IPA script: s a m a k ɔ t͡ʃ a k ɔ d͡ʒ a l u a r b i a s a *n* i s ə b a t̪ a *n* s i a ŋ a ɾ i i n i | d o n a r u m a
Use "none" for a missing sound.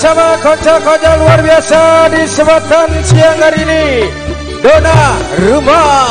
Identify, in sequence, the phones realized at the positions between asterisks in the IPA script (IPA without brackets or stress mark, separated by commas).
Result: d, n